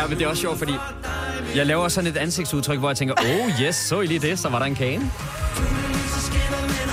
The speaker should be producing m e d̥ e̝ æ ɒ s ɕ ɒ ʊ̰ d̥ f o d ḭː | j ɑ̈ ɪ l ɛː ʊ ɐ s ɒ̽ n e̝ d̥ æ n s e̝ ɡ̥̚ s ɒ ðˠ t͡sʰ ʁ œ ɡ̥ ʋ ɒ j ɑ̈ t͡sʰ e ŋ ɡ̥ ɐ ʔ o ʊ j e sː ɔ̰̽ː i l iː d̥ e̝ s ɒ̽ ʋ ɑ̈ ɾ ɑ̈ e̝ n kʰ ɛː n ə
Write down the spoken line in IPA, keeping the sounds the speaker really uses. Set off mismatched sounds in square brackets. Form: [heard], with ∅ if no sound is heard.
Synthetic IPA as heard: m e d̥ e̝ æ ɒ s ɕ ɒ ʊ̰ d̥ f [ɒ] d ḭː | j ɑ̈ ɪ l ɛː ʊ ɐ s ɒ̽ n e̝ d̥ æ n s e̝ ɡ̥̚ s [u] ðˠ t͡sʰ ʁ œ ɡ̥ ʋ ɒ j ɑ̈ t͡sʰ e ŋ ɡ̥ ɐ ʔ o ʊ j e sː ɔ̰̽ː i l iː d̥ e̝ s ɒ̽ ʋ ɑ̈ ɾ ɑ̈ e̝ n kʰ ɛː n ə